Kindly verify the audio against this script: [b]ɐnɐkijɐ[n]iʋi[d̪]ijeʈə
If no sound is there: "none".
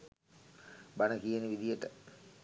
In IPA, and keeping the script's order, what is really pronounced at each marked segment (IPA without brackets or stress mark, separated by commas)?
b, n, d̪